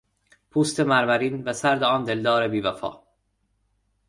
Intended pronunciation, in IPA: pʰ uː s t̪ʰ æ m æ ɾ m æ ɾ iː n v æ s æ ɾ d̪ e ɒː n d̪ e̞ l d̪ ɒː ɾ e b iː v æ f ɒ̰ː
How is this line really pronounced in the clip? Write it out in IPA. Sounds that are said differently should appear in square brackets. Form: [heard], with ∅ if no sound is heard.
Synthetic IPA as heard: pʰ uː s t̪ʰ [e] m æ ɾ m æ ɾ iː n v æ s æ ɾ d̪ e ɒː n d̪ e̞ l d̪ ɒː ɾ e b iː v æ f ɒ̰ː